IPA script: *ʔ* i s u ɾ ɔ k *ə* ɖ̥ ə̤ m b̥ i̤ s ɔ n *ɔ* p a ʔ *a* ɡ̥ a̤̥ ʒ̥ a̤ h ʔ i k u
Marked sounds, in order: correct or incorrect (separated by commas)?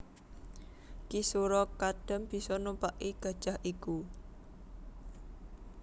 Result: incorrect, incorrect, incorrect, incorrect